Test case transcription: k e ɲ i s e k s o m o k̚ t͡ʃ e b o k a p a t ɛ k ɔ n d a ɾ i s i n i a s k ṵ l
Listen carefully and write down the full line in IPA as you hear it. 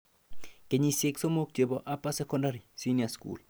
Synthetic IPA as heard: k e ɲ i s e k s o m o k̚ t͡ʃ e b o ʔ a p a s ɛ k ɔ n d a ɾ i s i n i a s k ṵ l